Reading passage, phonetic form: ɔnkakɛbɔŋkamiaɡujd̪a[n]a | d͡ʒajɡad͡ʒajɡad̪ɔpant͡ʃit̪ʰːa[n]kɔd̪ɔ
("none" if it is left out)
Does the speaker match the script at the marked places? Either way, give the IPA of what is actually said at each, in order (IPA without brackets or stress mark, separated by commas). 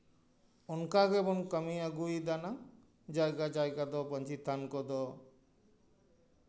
n, n